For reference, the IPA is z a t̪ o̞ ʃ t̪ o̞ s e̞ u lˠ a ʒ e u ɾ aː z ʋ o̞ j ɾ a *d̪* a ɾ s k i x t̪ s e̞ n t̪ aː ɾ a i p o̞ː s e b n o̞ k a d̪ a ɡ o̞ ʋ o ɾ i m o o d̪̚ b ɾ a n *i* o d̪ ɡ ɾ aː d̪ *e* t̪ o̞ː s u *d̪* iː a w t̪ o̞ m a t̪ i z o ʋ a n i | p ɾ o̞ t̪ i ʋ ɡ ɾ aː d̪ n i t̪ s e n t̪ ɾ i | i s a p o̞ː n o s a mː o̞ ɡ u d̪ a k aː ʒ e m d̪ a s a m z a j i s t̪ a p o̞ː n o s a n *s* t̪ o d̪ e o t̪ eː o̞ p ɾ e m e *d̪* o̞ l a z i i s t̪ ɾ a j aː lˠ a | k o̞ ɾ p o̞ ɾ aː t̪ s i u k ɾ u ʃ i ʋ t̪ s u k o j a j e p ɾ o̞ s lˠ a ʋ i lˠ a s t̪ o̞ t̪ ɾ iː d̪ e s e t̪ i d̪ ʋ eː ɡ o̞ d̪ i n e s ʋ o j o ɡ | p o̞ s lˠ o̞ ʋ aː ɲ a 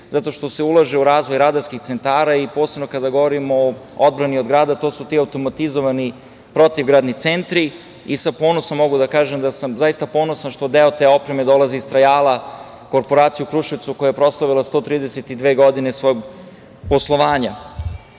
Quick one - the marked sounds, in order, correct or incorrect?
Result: correct, correct, incorrect: a, incorrect: t̪, incorrect: ʃ, correct

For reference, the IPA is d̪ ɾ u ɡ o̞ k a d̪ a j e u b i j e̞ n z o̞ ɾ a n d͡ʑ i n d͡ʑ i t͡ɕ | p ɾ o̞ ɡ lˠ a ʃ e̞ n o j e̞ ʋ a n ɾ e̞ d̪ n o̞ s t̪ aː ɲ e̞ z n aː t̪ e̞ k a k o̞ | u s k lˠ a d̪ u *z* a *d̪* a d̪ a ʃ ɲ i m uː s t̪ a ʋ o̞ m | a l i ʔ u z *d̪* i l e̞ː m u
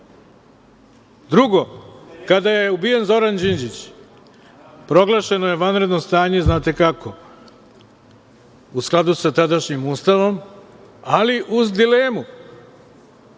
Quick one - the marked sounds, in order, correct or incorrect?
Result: incorrect: s, incorrect: t̪, correct

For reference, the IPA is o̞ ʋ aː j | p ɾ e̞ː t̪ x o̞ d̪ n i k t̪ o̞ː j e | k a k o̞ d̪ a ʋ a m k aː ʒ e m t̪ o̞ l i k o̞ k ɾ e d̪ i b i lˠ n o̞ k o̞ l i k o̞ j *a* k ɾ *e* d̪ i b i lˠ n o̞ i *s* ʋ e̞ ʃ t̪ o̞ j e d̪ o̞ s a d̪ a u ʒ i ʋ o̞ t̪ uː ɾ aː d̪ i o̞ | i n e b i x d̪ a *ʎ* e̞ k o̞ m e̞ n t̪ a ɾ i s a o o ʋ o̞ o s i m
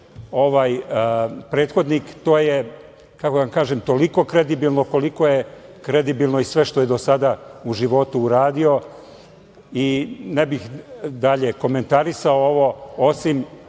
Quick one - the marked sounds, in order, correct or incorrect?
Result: incorrect: e, correct, correct, correct

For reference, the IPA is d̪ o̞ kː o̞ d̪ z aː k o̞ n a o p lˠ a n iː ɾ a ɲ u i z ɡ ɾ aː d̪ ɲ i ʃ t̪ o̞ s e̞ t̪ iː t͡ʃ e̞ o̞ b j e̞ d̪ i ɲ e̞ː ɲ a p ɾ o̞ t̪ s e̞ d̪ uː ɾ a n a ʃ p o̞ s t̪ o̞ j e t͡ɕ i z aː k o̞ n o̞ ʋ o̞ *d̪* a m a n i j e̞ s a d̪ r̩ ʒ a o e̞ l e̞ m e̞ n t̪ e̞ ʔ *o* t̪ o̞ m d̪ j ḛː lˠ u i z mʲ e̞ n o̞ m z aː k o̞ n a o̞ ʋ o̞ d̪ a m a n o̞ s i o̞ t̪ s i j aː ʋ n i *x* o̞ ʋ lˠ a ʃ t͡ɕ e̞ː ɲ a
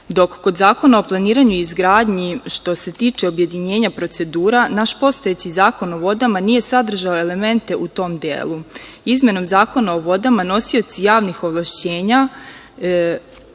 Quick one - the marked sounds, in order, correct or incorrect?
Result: correct, incorrect: u, correct

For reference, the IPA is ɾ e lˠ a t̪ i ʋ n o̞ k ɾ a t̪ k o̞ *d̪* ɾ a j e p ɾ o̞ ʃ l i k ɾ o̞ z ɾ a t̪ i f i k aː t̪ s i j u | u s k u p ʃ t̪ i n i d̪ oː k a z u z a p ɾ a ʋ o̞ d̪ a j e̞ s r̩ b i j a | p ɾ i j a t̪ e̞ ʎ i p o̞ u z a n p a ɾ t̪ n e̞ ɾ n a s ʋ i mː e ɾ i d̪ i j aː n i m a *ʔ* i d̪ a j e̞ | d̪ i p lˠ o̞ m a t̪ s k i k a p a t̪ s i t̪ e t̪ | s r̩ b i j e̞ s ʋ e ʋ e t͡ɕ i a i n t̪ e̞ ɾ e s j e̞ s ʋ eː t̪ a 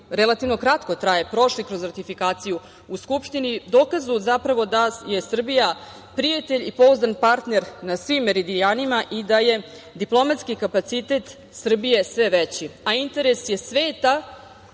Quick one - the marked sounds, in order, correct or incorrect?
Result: incorrect: t̪, correct

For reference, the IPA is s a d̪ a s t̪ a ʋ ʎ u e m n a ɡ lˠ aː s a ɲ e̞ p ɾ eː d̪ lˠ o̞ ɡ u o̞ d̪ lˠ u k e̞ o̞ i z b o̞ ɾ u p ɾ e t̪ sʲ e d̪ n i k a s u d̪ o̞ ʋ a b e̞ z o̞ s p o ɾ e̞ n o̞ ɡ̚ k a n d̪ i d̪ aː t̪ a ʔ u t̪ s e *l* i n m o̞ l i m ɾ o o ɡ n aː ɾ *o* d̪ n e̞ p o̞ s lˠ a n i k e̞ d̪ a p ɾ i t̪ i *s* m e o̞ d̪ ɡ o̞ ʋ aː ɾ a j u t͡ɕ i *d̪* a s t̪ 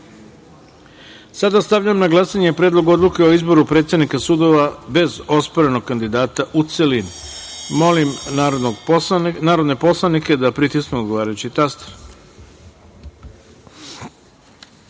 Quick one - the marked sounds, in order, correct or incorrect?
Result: correct, correct, correct, incorrect: t̪

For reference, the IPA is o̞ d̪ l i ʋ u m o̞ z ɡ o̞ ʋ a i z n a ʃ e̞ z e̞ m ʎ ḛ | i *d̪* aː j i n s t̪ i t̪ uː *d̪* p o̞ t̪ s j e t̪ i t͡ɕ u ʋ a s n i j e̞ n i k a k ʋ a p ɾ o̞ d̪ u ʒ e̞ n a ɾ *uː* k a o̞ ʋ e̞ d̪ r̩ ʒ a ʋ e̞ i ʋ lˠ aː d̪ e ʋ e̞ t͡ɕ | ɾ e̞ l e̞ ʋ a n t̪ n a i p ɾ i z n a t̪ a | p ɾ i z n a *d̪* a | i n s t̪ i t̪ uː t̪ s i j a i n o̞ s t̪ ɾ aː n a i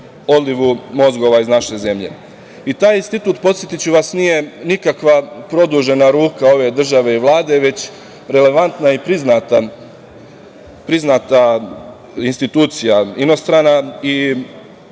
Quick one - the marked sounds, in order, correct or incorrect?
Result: incorrect: t̪, incorrect: t̪, correct, incorrect: t̪

